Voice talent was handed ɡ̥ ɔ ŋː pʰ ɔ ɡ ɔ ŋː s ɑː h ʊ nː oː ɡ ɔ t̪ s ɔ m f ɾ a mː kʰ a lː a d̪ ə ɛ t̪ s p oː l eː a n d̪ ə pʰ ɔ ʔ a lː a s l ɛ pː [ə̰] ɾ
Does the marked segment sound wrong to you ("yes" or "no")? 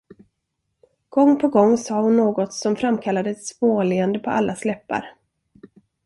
yes